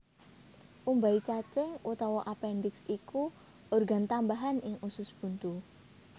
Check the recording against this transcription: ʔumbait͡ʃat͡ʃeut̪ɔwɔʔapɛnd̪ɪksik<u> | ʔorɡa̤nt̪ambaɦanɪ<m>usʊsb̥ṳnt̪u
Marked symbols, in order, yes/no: yes, no

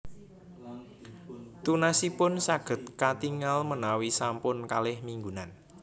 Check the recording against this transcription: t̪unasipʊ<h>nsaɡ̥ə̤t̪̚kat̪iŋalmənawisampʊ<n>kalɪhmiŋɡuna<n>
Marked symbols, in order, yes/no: no, yes, yes

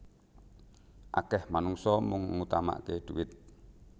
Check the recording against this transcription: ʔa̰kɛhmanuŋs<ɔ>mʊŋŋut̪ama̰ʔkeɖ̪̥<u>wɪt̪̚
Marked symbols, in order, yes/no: yes, yes

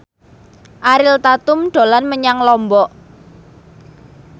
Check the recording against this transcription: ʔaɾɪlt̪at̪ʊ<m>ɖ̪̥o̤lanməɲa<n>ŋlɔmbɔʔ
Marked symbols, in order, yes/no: yes, no

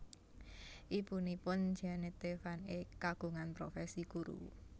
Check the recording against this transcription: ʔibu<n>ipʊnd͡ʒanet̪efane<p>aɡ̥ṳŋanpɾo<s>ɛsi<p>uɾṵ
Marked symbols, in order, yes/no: yes, no, no, no

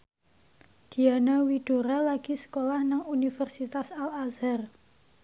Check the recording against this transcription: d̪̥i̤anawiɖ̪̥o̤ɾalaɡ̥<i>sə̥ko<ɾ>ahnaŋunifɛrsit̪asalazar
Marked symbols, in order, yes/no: yes, no

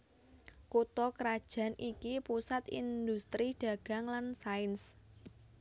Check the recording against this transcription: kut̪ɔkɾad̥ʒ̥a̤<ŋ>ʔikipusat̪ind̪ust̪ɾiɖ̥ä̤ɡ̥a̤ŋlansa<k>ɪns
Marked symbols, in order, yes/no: no, no

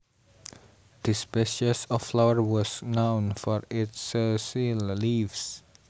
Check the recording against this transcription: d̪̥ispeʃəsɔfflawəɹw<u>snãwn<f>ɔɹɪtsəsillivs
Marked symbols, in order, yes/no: no, yes

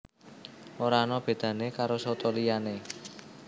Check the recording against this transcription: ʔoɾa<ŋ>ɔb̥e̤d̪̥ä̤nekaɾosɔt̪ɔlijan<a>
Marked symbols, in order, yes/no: no, no

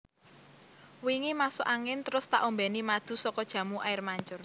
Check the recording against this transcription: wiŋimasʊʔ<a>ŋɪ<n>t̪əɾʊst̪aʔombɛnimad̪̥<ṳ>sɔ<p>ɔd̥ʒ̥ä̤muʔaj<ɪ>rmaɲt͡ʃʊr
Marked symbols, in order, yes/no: yes, yes, yes, no, yes

